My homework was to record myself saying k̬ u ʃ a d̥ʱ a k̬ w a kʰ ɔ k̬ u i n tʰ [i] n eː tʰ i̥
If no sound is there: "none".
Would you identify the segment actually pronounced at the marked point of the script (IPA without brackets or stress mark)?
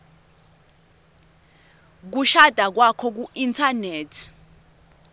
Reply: a